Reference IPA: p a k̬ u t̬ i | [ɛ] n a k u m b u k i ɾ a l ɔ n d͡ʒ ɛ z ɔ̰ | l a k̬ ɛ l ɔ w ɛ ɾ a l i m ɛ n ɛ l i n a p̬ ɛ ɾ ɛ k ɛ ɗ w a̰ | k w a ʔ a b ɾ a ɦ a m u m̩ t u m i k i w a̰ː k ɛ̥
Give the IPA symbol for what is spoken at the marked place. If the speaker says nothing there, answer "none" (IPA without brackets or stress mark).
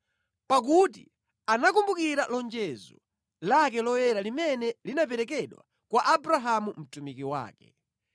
a